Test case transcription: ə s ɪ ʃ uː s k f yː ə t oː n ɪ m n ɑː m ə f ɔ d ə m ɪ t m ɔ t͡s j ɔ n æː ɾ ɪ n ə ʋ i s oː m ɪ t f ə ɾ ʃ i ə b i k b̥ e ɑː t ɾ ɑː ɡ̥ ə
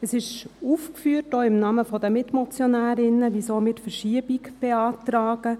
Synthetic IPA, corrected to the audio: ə s ɪ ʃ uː f k f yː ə t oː ɪ m n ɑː m ə f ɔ d ə m ɪ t m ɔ t͡s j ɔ n æː ɾ ɪ n ə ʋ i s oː m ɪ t f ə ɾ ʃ i ə b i k b̥ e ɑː t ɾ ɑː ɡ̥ ə